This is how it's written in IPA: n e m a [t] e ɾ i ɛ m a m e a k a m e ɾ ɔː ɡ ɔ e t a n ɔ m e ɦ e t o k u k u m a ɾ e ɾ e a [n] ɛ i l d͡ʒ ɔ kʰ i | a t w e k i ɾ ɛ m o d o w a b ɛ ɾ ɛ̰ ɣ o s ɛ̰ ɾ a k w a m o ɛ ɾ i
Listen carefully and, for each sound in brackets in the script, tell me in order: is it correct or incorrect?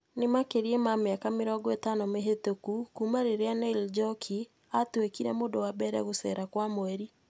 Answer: incorrect, correct

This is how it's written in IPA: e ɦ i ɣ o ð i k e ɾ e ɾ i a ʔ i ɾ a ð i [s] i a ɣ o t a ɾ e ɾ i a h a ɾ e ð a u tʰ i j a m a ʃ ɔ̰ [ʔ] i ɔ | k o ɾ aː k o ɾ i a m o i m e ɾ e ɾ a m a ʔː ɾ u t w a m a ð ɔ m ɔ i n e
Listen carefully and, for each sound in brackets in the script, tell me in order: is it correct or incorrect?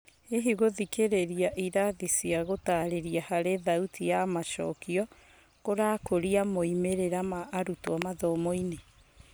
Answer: correct, incorrect

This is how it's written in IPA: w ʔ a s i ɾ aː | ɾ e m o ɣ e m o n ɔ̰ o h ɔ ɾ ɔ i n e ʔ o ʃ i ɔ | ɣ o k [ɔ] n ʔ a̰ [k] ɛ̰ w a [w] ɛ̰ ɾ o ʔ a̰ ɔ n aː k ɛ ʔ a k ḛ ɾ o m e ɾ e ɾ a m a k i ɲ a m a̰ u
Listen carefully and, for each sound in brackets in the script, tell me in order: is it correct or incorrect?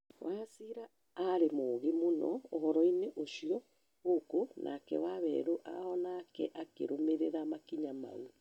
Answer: incorrect, correct, incorrect

